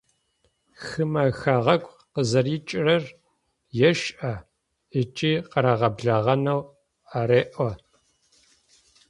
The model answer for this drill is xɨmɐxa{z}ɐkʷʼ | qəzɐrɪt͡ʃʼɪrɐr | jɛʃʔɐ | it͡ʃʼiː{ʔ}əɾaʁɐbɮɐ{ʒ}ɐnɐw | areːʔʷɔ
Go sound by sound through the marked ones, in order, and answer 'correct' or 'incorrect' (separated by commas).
incorrect, incorrect, incorrect